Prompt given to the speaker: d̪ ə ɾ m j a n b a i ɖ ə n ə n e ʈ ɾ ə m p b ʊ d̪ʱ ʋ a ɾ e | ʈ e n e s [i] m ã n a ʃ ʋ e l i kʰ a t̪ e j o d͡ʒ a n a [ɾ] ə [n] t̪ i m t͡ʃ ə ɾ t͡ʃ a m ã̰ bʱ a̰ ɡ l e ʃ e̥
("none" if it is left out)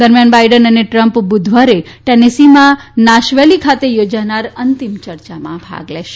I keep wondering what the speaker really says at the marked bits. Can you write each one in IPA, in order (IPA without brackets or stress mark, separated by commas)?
i, ɾ, n